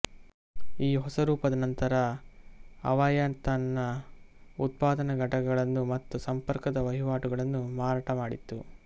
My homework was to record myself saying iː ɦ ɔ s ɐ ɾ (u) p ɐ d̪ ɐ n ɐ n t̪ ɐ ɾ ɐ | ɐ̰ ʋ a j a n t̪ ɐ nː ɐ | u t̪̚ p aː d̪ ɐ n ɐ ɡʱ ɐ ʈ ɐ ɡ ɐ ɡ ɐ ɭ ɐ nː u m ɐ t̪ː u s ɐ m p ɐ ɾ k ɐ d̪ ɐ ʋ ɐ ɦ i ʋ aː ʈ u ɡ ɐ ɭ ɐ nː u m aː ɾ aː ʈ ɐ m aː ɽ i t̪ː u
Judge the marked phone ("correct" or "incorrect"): incorrect